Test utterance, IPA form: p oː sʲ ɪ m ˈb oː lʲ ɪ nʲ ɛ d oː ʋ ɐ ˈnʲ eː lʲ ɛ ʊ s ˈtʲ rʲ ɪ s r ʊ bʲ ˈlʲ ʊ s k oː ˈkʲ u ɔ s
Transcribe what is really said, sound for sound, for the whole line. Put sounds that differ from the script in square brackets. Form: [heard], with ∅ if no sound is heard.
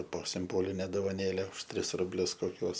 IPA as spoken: p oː sʲ ɪ m ˈb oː lʲ ɪ nʲ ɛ d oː ʋ ɐ ˈnʲ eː lʲ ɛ ʊ [ʃ] ˈtʲ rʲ ɪ s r ʊ bʲ ˈlʲ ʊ s k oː ˈkʲ u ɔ s